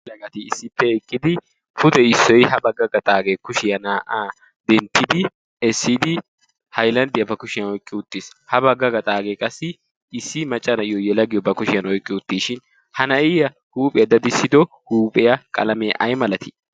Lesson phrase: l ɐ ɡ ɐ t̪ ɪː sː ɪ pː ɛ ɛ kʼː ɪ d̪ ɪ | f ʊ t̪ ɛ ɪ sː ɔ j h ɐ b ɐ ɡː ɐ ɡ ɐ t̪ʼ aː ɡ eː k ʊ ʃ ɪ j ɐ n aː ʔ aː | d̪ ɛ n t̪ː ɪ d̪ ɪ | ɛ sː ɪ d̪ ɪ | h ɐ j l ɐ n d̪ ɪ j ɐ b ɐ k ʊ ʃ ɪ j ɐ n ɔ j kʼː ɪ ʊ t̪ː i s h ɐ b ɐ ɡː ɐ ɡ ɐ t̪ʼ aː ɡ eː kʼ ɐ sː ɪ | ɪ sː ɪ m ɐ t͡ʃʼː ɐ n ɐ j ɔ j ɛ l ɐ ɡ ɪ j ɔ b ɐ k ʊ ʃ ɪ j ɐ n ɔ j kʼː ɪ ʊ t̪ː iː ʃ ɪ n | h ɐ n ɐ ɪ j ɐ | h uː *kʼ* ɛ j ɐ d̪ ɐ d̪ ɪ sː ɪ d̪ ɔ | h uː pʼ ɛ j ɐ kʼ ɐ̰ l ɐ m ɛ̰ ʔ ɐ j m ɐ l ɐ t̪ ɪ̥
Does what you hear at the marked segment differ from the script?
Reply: yes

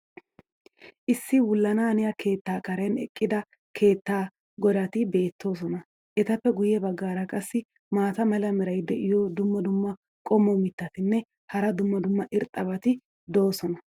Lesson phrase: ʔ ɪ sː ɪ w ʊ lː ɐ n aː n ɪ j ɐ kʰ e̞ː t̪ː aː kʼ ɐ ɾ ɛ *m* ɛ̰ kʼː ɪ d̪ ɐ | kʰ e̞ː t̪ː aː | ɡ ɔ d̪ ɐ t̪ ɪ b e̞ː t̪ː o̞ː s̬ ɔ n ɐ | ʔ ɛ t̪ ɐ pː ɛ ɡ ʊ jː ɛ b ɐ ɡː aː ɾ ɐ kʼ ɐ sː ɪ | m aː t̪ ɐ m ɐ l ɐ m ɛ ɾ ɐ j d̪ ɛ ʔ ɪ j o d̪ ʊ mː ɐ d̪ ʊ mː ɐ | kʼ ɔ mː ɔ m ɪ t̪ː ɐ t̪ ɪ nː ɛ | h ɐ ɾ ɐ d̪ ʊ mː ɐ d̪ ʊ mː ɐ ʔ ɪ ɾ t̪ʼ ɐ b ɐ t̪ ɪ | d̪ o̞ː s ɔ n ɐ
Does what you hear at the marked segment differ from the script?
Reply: yes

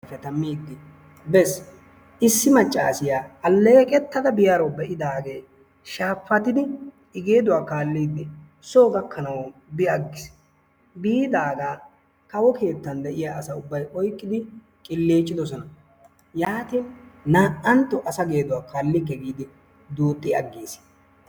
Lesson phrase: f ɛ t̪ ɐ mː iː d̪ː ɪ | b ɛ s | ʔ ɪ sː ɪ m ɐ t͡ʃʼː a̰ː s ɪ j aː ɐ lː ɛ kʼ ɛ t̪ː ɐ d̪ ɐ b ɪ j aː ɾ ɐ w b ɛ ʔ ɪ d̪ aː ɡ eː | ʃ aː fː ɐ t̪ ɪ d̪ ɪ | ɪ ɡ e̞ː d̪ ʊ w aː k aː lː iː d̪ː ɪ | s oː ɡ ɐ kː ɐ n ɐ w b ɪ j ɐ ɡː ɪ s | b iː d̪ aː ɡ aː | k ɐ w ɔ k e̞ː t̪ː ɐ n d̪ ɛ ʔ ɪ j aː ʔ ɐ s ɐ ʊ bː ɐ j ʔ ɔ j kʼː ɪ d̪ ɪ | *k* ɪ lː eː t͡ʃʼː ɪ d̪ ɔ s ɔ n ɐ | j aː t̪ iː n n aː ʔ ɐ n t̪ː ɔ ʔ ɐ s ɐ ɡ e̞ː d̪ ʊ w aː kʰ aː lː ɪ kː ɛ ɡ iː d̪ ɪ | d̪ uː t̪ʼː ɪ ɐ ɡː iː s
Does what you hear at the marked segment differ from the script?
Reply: yes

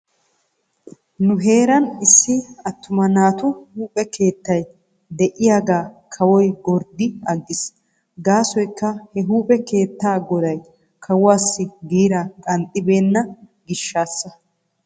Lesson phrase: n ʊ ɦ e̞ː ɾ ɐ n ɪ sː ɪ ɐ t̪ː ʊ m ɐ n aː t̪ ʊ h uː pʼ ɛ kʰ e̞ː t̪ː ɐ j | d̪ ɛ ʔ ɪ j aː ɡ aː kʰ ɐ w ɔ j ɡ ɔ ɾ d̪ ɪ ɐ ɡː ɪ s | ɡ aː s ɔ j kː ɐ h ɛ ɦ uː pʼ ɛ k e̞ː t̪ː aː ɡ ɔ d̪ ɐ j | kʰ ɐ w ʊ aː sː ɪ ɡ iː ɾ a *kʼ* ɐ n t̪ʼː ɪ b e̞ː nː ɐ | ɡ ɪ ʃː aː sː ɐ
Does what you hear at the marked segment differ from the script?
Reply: no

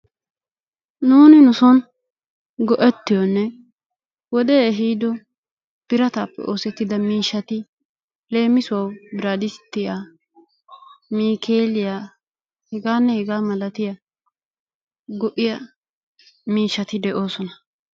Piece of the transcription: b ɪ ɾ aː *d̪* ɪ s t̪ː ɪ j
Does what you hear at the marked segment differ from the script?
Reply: no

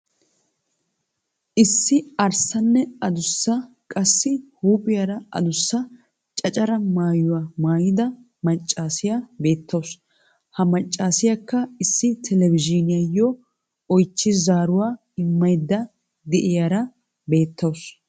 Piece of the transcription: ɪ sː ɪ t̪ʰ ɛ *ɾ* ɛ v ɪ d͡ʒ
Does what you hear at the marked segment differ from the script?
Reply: yes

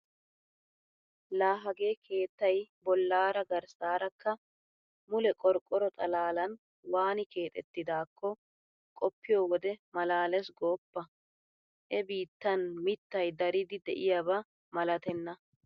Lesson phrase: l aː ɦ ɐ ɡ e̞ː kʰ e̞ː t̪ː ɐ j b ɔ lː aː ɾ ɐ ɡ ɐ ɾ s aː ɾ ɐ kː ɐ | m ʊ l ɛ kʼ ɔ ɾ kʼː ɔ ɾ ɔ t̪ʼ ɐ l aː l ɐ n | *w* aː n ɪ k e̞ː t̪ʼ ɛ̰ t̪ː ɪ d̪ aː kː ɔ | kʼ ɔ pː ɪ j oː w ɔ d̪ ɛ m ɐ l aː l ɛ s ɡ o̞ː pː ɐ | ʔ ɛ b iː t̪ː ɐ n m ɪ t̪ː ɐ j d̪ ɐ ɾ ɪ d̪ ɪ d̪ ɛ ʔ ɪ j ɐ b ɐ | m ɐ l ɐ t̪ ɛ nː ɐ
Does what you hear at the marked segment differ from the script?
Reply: no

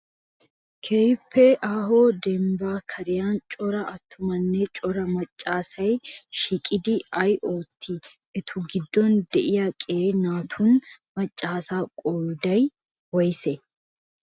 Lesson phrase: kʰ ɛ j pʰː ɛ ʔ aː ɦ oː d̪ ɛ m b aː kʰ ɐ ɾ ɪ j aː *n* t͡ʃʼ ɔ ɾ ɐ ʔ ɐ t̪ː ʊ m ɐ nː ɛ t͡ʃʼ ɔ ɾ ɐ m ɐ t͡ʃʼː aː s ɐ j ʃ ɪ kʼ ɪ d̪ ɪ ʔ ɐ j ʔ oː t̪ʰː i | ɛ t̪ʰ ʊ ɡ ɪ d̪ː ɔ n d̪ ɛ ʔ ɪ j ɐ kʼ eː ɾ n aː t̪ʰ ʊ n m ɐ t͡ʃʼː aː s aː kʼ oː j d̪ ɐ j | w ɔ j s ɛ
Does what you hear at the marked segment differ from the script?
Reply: no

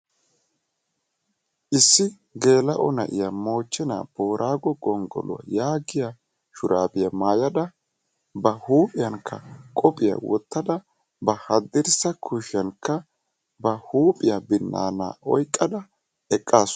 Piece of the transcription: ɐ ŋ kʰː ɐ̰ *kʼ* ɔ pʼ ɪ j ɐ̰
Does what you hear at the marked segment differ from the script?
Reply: no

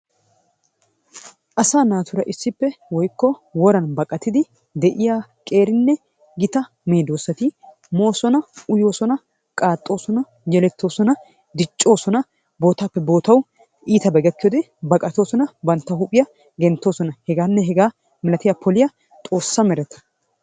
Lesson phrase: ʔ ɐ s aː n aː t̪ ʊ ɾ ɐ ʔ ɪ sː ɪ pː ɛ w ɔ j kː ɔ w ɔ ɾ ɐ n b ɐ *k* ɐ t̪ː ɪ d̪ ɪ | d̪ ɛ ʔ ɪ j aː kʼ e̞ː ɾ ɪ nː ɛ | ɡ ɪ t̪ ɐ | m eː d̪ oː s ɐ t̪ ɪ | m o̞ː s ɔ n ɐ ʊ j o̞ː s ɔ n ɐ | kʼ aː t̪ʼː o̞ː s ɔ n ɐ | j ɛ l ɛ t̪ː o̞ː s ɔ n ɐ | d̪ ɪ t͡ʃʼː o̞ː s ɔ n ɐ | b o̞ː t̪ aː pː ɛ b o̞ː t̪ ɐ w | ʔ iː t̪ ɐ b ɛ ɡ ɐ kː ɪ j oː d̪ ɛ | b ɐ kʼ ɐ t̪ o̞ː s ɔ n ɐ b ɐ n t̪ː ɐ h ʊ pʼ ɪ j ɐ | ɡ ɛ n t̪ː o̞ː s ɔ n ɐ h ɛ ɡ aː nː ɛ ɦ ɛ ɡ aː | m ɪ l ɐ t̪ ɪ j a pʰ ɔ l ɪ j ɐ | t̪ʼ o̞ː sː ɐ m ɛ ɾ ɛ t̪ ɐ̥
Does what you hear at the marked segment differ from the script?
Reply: yes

